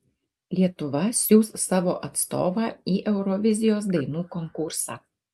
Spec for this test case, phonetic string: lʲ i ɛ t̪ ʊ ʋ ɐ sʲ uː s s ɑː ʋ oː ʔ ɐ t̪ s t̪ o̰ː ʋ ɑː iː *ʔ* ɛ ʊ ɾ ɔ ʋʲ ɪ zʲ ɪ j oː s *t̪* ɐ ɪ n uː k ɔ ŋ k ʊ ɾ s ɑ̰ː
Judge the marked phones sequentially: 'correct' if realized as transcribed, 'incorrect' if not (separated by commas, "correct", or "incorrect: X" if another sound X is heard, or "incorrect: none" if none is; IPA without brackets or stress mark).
correct, incorrect: d̪